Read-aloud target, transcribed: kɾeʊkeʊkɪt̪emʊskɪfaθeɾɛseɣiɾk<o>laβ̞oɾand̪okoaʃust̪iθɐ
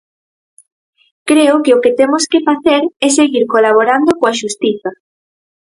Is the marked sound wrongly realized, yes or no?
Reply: no